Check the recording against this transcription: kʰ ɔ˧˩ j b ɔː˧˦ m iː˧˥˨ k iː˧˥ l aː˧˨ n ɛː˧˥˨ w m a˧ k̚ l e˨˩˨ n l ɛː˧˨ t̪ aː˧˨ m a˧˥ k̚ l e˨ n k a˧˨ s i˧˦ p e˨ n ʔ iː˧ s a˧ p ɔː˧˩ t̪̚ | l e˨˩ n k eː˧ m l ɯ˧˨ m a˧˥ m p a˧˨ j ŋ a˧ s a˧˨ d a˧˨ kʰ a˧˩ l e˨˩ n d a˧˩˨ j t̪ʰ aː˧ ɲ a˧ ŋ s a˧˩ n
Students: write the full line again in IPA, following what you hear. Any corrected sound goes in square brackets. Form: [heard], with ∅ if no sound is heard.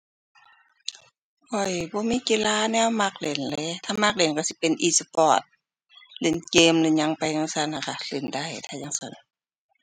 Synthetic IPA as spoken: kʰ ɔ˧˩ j b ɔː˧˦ m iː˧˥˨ k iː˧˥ l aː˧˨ n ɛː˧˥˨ w m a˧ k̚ l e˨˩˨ n l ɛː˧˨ [t̪ʰ] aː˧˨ m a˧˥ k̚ l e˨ n k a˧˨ s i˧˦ p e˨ n ʔ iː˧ s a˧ p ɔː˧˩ t̪̚ | l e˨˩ n k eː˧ m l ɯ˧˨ [ɲ] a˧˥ [ŋ] p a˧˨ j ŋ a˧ s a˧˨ [n] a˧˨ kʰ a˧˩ l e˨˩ n d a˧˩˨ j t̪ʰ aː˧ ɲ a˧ ŋ s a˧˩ n